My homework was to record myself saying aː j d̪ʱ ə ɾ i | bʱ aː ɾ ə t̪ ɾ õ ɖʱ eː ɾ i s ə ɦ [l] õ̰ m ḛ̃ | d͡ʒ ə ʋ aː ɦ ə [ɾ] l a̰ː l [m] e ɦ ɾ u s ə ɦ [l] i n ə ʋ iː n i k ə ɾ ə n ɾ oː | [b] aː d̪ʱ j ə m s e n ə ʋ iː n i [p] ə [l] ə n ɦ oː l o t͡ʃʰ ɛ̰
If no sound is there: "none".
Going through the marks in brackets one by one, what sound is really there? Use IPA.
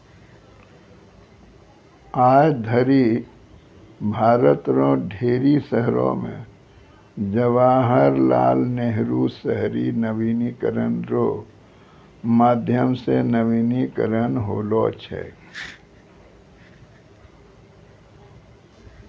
ɾ, ɾ, n, ɾ, m, k, ɾ

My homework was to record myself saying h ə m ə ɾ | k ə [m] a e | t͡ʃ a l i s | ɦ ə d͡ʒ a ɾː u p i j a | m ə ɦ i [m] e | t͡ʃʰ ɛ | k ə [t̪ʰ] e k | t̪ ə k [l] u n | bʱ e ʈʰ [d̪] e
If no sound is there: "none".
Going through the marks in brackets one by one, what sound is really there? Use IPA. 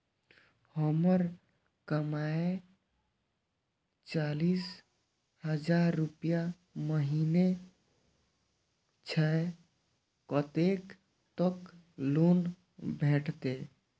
m, n, t̪, l, t̪

